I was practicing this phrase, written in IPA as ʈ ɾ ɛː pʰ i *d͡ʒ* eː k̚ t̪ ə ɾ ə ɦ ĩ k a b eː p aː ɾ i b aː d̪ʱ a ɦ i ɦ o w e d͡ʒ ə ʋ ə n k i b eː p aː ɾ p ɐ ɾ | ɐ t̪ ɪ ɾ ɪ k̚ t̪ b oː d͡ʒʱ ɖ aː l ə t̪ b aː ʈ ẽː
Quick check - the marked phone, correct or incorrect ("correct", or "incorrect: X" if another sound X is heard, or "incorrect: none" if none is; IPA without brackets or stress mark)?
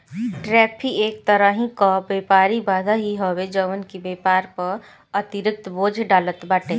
incorrect: none